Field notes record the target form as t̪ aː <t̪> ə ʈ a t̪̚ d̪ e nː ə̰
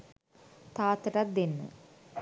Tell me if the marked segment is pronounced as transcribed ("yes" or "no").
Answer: yes